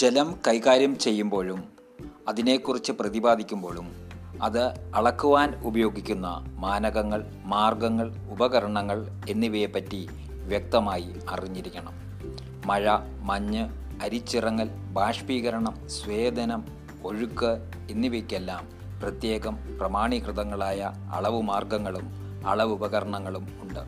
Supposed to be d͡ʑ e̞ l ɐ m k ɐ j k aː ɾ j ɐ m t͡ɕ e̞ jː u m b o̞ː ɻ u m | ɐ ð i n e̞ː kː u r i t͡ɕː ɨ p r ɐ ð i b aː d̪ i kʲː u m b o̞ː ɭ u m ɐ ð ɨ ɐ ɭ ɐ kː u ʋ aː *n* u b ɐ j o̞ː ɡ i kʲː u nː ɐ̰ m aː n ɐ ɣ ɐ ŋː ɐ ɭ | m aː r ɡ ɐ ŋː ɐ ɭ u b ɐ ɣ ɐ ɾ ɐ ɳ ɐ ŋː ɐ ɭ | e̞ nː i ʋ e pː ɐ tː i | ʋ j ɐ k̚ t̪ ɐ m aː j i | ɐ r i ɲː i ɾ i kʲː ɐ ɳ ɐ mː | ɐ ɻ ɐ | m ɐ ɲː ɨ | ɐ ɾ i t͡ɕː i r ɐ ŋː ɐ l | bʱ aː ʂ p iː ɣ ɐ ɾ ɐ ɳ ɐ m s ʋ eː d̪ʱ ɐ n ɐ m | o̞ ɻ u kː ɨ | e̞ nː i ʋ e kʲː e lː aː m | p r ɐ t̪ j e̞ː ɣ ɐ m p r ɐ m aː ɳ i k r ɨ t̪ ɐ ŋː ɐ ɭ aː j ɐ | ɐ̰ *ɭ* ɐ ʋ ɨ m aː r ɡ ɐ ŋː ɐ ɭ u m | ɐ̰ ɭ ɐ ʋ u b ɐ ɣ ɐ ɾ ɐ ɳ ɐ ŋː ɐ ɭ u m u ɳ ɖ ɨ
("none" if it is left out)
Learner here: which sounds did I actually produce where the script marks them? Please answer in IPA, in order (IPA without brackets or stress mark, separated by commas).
n, ɭ